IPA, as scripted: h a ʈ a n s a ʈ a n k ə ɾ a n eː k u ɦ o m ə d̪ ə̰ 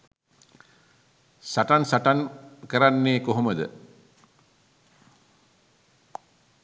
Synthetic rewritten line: s a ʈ a n s a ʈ a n k ə ɾ a nː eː k o ɦ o m ə d̪ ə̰